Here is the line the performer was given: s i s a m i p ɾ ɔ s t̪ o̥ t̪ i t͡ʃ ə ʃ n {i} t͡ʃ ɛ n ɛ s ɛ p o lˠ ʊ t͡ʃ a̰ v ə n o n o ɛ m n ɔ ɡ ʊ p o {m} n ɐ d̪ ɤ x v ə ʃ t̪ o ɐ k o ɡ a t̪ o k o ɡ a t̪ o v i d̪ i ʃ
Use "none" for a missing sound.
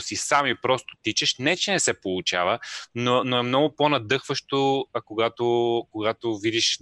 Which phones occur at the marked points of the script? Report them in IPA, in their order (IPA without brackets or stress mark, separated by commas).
ɛ, none